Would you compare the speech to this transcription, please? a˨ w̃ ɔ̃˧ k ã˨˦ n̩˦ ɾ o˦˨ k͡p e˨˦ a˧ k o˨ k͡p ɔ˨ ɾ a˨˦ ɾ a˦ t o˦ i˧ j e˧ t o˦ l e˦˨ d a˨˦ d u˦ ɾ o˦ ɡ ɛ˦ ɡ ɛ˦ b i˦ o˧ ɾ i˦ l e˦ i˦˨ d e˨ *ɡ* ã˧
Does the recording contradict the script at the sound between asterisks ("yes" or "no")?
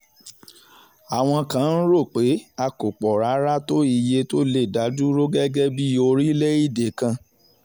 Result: yes